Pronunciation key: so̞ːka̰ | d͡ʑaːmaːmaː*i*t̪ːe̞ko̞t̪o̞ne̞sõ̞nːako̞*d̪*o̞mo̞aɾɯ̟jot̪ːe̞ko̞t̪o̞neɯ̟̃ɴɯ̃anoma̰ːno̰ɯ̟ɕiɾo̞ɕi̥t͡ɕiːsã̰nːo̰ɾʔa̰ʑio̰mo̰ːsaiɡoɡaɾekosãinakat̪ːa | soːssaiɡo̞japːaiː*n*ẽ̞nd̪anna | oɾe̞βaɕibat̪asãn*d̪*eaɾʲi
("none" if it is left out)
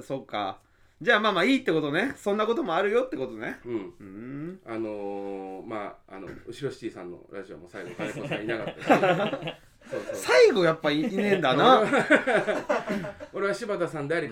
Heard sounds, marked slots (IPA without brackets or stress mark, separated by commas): iː, t̪, n, d̪